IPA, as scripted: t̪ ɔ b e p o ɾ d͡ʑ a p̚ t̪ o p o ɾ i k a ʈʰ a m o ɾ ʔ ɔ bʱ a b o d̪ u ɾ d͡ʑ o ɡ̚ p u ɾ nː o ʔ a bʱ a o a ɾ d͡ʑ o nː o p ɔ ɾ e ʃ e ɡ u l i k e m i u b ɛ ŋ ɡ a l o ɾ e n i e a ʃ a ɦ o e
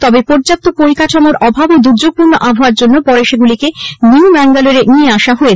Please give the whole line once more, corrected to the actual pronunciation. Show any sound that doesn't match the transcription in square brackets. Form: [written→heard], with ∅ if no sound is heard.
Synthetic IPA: t̪ ɔ b e p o ɾ d͡ʑ a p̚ t̪ o p o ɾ i k a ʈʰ a m o ɾ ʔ ɔ bʱ a b o d̪ u ɾ d͡ʑ o ɡ̚ p u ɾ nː o ʔ a bʱ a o a ɾ d͡ʑ o nː o p ɔ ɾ e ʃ e ɡ u l i k e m i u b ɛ ŋ ɡ a l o ɾ e n i e a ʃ a ɦ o e